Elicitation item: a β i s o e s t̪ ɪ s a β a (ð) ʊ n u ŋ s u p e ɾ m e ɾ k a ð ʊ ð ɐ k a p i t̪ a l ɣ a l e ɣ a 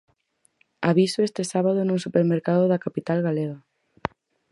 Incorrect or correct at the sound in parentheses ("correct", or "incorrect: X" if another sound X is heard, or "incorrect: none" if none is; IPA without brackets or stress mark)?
correct